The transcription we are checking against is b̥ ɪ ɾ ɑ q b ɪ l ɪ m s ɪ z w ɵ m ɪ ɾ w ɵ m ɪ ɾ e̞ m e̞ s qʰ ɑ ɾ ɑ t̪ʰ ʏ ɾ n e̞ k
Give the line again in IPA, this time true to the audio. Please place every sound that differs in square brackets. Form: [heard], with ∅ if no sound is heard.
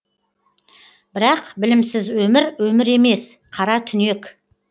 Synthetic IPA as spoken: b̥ ɪ ɾ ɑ q b ɪ l ɪ m s ɪ z w ɵ m ɪ ɾ w ɵ m ɪ ɾ e̞ m e̞ s qʰ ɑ ɾ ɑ t̪ʰ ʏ [∅] n e̞ k